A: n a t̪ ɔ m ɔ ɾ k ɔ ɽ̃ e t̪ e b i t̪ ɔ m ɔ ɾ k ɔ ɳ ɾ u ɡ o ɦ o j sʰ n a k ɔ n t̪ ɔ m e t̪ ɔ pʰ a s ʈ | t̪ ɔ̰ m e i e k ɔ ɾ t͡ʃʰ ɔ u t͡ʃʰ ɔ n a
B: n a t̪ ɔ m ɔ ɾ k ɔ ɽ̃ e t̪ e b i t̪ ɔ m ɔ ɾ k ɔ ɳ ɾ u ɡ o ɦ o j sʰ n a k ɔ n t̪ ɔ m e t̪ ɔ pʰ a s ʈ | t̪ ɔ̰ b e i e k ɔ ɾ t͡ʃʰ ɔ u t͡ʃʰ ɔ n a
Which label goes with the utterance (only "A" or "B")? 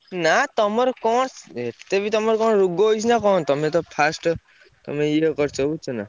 A